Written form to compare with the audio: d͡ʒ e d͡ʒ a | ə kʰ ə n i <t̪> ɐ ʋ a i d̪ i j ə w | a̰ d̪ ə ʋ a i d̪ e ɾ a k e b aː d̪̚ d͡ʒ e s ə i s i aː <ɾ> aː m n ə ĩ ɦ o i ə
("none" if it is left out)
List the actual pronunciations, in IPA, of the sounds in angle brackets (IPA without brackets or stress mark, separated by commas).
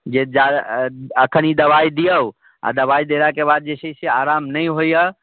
d̪, ɾ